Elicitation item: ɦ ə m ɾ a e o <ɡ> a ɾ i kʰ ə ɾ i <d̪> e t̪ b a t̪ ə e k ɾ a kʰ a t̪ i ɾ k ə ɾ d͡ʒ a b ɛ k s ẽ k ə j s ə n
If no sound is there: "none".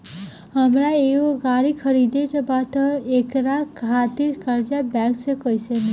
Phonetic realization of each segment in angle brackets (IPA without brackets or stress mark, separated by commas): ɡ, d̪